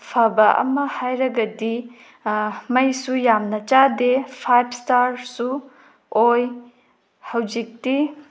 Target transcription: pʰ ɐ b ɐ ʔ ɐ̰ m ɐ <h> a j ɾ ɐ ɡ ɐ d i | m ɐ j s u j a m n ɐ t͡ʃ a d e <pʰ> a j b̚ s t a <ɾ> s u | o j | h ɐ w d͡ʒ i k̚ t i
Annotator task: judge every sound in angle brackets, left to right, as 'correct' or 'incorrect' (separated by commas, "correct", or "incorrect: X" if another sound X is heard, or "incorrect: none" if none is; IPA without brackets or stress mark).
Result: correct, correct, correct